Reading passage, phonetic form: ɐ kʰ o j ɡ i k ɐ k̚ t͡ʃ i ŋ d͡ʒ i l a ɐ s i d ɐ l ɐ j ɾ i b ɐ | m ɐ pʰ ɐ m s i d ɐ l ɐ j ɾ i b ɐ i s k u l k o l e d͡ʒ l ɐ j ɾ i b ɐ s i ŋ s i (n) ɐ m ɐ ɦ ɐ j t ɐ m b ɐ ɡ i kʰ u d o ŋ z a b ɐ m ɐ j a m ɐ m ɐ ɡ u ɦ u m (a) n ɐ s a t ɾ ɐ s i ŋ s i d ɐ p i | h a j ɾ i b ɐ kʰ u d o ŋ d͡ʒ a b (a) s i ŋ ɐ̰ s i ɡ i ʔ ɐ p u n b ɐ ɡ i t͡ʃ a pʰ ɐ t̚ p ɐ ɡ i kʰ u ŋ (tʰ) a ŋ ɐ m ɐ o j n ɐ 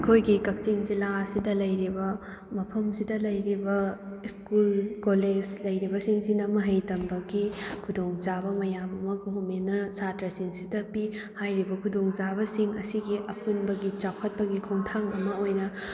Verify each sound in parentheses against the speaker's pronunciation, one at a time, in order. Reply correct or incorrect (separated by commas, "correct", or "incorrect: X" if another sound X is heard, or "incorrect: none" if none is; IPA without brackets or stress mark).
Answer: correct, incorrect: e, incorrect: ɐ, correct